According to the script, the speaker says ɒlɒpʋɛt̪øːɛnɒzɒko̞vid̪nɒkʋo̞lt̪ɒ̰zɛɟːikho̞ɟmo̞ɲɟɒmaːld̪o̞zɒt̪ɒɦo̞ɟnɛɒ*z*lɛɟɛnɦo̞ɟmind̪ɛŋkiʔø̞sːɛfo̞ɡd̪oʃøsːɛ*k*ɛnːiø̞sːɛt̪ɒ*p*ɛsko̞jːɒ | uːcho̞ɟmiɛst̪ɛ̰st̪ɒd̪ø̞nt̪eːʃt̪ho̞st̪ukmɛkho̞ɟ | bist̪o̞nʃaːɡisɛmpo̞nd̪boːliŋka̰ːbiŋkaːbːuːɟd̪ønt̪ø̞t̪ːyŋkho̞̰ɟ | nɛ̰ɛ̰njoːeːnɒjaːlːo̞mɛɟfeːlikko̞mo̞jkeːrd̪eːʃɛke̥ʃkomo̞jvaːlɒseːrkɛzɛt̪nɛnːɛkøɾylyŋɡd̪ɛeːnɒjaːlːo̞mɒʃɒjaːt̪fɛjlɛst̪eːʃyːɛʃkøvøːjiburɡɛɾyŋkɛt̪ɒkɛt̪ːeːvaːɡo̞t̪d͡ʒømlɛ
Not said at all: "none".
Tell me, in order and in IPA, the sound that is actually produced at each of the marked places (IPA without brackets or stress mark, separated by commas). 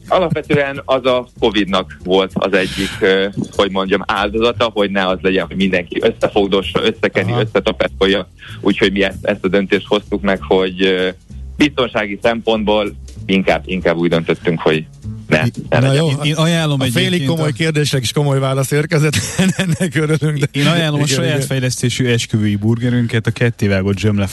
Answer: z, k, p